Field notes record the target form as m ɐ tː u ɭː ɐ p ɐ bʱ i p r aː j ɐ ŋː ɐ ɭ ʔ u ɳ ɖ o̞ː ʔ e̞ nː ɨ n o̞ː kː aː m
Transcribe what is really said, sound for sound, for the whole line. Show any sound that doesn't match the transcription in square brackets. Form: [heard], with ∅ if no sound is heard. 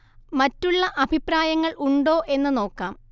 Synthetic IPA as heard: m ɐ tː u ɭː ɐ [ʔ] ɐ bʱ i p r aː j ɐ ŋː ɐ ɭ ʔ u ɳ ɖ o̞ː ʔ e̞ nː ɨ n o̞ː kː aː m